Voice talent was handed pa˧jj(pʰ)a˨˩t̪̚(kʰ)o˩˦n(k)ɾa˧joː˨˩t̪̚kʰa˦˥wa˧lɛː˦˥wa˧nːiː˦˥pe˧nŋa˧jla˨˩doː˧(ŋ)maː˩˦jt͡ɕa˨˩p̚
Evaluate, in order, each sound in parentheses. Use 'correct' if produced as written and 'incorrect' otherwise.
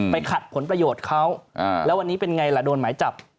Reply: incorrect, incorrect, incorrect, incorrect

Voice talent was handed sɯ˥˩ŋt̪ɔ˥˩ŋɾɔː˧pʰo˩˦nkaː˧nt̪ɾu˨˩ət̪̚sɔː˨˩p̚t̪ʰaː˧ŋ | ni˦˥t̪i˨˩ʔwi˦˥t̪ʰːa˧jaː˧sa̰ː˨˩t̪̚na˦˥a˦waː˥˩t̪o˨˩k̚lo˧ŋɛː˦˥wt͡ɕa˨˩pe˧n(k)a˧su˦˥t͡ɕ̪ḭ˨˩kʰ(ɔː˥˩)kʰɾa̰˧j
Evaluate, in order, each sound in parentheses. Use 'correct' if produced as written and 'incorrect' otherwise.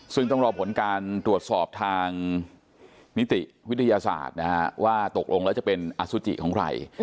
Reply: incorrect, incorrect

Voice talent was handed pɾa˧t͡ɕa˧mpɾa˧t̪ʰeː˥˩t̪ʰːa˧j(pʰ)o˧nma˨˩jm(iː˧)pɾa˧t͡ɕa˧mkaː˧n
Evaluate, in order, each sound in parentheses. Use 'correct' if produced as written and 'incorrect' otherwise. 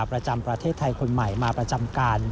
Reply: incorrect, incorrect

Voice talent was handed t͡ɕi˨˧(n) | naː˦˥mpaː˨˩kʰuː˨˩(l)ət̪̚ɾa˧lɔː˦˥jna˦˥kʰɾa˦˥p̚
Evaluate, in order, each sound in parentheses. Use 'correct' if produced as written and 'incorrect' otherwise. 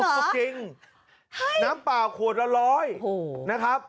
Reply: incorrect, incorrect

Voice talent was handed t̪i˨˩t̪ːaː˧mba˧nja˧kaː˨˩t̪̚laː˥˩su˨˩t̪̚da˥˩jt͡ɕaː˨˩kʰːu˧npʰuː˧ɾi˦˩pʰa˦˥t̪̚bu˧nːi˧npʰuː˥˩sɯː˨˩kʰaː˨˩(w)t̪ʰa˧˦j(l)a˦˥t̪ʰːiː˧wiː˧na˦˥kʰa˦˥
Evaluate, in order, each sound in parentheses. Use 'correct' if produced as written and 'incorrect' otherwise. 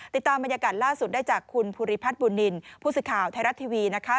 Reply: correct, incorrect

